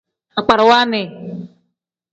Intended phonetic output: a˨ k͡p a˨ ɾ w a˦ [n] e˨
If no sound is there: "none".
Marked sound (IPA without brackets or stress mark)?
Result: n